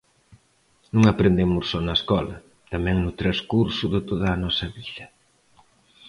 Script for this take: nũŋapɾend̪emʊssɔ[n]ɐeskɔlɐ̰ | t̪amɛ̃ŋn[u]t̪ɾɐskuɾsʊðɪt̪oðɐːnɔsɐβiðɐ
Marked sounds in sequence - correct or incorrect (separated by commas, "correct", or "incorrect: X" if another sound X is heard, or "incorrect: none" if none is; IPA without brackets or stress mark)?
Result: correct, incorrect: ʊ